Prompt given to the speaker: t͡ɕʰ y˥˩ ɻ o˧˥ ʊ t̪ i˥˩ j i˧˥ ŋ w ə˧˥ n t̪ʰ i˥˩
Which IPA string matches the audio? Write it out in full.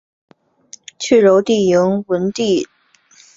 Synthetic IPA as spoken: t͡ɕʰ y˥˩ ɻ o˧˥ ʊ t̪ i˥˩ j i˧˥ ŋ w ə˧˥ n t̪ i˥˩